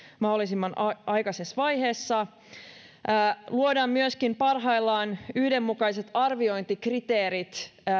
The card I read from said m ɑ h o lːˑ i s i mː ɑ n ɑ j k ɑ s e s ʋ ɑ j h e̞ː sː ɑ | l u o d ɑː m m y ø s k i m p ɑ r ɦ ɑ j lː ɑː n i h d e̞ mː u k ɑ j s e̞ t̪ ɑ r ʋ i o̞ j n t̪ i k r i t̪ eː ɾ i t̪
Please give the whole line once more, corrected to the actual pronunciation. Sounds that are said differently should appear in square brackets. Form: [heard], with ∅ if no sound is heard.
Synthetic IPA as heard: m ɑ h o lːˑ i s i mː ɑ n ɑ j k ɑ s e s ʋ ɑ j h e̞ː sː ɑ | l u o d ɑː m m y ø s k i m p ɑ r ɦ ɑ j lː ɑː n [y] h d e̞ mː u k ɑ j s e̞ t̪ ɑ r ʋ i o̞ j n t̪ i k r i t̪ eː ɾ i t̪